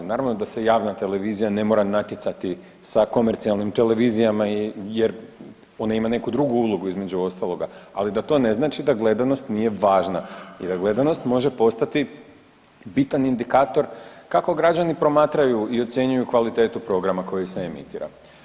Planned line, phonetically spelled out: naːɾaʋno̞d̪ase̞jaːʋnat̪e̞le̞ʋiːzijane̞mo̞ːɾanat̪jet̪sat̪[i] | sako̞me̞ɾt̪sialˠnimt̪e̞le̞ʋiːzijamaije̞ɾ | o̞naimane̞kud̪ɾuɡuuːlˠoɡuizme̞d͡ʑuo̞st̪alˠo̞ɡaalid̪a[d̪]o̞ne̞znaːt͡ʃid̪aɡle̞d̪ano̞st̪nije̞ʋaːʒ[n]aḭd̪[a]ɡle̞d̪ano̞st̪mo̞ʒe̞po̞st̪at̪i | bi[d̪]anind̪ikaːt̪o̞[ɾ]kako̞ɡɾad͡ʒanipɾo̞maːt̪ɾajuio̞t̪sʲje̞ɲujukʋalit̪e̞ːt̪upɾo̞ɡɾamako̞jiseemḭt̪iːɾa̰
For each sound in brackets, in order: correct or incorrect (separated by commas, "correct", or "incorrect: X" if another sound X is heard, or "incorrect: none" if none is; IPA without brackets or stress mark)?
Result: correct, incorrect: t̪, correct, correct, incorrect: t̪, correct